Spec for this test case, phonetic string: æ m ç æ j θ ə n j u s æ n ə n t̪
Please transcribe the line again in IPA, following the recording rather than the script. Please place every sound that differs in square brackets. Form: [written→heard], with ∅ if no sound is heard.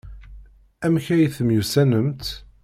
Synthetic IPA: æ m ç æ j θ ə [n→m] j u s æ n ə [n→m] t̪